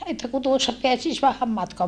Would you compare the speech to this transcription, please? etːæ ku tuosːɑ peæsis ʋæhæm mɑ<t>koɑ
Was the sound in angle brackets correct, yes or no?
yes